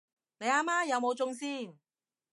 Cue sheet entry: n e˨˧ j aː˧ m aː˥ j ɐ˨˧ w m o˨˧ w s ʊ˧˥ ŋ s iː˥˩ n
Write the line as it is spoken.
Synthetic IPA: n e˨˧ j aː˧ m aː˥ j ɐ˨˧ w m o˨˧ w t͡s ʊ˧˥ ŋ s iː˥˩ n